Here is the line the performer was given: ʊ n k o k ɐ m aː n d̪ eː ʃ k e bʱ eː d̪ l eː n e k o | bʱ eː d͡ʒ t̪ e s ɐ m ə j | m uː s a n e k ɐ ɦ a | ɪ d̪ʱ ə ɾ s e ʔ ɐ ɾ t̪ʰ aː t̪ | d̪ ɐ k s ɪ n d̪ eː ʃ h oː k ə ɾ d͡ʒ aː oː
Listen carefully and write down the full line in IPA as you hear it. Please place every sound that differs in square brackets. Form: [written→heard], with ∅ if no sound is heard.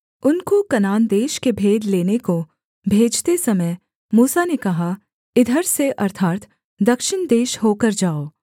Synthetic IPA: ʊ n k o k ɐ [m→n] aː n d̪ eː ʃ k e bʱ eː d̪ l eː n e k o | bʱ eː d͡ʒ t̪ e s ɐ m ə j | m uː s a n e k ɐ ɦ a | ɪ d̪ʱ ə ɾ s e ʔ ɐ ɾ t̪ʰ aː t̪ | d̪ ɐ k [s→ʃ] ɪ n d̪ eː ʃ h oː k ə ɾ d͡ʒ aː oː